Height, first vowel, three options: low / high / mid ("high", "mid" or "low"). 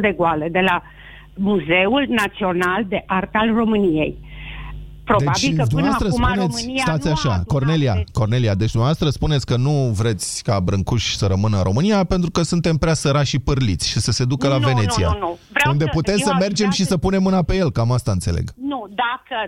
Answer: mid